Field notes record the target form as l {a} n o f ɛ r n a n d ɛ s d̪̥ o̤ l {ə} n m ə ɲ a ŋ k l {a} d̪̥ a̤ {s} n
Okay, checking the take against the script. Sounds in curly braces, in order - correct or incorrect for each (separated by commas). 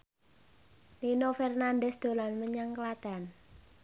incorrect, incorrect, correct, incorrect